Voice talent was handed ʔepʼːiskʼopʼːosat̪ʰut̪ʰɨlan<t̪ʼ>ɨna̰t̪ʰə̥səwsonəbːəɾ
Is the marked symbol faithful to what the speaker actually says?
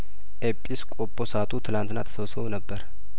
no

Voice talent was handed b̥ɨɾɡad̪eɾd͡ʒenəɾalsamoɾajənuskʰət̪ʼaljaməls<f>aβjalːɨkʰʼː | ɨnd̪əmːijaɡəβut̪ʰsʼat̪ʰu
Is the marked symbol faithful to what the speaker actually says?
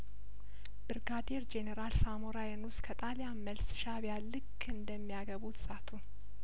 no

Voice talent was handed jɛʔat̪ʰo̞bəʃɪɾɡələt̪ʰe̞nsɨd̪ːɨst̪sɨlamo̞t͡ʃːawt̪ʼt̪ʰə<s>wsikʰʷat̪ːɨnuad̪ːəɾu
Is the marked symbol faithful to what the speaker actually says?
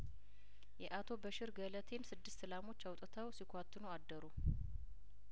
no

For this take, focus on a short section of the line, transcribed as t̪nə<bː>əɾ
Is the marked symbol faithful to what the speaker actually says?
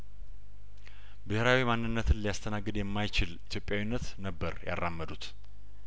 yes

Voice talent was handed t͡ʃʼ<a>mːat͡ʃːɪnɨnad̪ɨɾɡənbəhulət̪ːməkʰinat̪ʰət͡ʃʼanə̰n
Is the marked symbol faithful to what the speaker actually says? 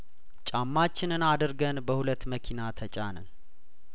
yes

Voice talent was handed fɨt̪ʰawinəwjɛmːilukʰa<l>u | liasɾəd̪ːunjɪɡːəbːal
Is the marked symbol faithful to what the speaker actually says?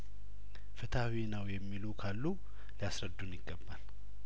no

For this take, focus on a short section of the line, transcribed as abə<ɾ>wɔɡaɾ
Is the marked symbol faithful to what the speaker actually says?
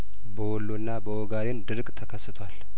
no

